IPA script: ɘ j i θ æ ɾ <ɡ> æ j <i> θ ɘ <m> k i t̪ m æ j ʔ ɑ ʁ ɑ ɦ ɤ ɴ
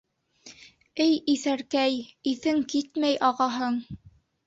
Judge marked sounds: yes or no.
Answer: no, yes, no

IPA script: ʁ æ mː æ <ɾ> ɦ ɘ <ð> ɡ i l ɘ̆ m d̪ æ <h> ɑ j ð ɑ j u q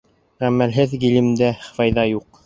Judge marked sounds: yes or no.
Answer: no, yes, no

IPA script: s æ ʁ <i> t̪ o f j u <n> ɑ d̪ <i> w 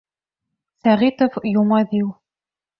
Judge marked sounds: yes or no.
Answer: yes, no, yes

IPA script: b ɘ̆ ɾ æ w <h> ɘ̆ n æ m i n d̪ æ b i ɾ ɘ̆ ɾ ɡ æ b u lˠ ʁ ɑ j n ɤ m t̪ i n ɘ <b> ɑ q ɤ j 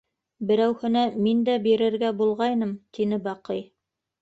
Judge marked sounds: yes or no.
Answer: yes, yes

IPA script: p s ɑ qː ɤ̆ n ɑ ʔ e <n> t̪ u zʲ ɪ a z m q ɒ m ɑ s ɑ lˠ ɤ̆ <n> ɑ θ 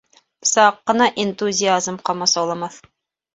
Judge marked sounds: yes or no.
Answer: yes, no

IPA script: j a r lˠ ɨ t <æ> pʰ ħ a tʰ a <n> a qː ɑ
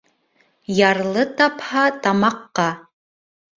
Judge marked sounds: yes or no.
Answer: no, no

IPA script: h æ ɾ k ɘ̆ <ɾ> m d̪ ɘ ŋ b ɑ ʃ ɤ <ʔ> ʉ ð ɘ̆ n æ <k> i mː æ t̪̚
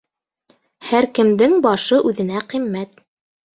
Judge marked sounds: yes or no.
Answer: no, yes, no

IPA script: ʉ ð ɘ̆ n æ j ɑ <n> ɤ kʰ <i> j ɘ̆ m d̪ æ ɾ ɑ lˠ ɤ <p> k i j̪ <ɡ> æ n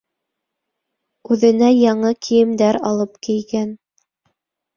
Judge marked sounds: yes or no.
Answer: no, yes, yes, yes

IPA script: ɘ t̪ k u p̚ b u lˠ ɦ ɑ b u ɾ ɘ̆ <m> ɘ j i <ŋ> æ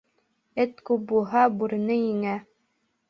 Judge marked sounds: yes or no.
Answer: no, yes

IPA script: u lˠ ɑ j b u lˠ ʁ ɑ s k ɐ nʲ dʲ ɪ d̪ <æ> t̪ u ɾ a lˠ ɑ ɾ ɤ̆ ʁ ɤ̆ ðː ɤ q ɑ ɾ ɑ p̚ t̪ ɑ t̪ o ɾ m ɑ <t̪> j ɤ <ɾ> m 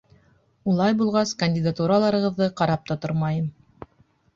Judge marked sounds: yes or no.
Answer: no, no, no

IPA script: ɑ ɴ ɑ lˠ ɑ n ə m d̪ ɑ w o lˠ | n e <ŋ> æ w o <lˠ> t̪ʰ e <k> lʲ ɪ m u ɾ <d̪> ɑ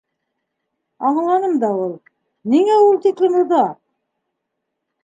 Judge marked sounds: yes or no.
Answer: yes, yes, yes, yes

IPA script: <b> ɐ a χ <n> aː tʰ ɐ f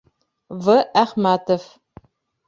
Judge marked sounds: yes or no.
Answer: no, no

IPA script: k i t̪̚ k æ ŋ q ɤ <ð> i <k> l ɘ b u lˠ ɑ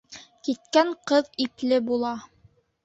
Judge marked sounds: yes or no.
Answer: yes, no

